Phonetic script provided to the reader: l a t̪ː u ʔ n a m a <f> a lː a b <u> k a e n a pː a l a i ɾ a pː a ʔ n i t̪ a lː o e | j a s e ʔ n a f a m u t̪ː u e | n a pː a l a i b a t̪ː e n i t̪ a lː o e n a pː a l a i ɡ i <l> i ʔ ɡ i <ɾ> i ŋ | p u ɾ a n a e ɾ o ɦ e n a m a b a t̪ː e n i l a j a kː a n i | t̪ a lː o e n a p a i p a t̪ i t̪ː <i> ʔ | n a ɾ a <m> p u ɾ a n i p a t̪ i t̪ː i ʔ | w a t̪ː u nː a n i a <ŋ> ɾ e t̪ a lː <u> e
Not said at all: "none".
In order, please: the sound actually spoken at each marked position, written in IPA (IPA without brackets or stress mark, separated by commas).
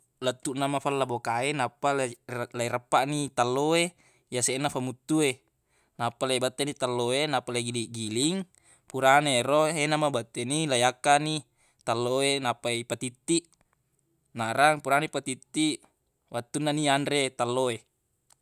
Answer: f, o, l, l, i, ŋ, n, o